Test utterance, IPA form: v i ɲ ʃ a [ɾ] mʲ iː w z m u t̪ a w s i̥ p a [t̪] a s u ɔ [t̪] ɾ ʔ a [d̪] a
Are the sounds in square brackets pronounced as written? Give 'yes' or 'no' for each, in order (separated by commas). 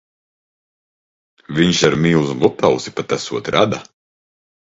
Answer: yes, yes, yes, yes